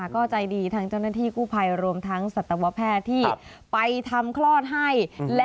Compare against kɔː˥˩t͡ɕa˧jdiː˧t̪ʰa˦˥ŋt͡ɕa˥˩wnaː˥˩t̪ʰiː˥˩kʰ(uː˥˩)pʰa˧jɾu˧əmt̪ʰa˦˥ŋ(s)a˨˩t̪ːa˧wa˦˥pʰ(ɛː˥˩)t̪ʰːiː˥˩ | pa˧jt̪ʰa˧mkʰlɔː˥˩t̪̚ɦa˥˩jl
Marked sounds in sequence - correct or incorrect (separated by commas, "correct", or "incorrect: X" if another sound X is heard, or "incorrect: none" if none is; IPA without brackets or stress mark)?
correct, correct, correct